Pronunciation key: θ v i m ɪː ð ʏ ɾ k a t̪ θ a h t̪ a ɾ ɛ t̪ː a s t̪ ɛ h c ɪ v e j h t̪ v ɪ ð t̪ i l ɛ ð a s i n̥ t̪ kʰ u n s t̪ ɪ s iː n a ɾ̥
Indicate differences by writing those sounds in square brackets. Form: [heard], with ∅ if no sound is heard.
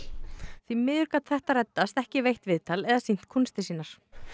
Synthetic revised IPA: θ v i m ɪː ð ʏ ɾ k a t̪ θ [ɛ] h t̪ a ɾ ɛ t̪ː a s t̪ ɛ h c ɪ v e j h t̪ v ɪ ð t̪ [a] l ɛ ð a s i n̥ t̪ kʰ u n s t̪ ɪ s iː n a ɾ̥